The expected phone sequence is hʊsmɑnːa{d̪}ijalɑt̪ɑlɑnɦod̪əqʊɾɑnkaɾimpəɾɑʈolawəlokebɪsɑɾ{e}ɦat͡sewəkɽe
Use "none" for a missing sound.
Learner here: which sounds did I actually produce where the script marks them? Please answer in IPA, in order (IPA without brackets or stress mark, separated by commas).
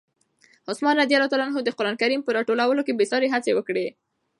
d̪, e